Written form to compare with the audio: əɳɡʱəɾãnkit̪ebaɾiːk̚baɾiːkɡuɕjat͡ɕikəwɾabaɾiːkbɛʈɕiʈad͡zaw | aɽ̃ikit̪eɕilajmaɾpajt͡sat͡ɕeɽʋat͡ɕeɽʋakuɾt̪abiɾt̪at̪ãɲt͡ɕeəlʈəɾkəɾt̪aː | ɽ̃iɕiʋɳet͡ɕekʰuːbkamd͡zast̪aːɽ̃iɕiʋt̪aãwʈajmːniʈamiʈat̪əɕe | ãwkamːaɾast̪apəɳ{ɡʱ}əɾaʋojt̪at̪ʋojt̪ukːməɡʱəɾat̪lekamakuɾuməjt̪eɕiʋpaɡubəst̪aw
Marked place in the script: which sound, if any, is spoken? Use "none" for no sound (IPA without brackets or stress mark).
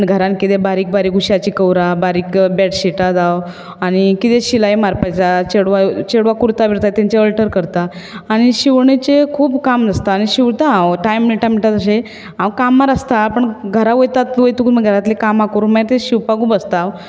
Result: ɡʱ